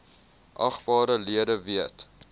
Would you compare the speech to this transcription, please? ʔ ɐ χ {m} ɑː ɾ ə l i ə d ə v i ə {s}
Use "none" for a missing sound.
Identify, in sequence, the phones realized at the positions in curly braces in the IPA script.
b, t

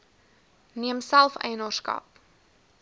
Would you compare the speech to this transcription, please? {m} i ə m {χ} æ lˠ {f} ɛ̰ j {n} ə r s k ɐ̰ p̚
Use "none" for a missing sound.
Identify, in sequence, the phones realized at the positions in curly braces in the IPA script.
n, s, f, n

